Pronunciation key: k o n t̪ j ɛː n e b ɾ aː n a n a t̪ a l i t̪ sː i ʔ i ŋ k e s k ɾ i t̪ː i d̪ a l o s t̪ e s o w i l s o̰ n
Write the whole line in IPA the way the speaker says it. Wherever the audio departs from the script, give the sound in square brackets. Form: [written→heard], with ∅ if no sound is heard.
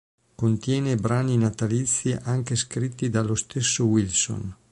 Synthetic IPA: k o n t̪ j ɛː n e b ɾ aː n [a→i] n a t̪ a l i t̪ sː i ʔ [i→a] ŋ k e s k ɾ i t̪ː i d̪ a l o s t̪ e [s→sː] o w i l s o̰ n